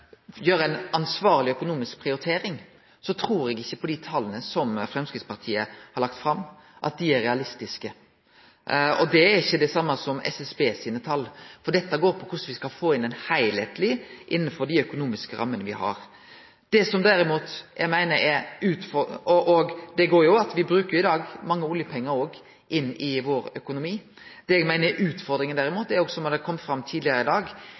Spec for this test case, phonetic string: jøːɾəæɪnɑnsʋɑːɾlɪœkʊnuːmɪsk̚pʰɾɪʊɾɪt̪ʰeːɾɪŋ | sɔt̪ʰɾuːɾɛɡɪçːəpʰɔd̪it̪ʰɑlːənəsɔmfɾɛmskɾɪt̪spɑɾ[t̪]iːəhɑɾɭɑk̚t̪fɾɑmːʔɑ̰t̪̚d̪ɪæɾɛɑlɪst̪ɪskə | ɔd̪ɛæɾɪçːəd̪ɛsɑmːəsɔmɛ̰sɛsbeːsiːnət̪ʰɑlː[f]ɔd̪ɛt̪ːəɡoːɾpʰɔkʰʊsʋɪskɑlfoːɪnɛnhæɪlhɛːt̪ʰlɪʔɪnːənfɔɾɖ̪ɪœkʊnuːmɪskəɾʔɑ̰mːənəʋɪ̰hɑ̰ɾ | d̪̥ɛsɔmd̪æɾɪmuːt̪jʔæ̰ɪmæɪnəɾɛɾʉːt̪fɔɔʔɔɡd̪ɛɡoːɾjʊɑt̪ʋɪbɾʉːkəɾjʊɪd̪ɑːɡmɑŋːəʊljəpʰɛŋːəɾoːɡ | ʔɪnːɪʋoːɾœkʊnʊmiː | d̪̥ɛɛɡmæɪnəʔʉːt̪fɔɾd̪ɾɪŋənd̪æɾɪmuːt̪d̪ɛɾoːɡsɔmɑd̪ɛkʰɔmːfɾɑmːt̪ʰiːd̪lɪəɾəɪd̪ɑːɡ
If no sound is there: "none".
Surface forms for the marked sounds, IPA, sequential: t̪ʰ, f

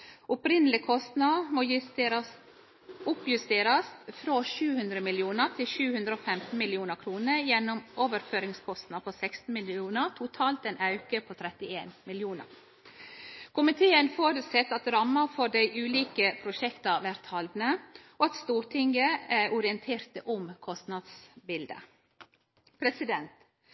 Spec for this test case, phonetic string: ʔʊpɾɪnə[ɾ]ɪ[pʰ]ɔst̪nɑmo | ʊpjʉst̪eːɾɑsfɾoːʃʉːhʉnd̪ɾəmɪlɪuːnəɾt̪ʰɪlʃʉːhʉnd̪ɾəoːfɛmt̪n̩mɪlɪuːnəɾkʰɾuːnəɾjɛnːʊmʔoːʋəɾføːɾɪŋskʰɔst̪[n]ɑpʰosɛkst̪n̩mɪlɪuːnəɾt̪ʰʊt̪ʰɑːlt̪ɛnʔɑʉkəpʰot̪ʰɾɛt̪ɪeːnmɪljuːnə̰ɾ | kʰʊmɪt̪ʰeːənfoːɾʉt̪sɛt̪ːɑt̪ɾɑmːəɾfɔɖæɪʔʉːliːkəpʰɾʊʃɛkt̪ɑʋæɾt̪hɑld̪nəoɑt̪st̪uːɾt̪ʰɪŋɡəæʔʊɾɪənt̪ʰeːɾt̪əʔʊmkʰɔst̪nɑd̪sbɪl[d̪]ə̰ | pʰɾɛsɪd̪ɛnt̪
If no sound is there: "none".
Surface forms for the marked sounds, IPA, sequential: l, kʰ, n, d̪

